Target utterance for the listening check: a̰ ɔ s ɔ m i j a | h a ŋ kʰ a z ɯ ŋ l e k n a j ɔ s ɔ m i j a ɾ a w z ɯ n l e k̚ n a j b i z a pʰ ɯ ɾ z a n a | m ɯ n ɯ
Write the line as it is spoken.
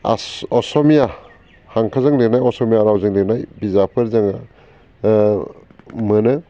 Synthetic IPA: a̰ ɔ s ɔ m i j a | h a ŋ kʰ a z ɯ ŋ l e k n a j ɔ s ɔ m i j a ɾ a w z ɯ ŋ l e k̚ n a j b i z a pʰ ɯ ɾ z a ŋ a | m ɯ n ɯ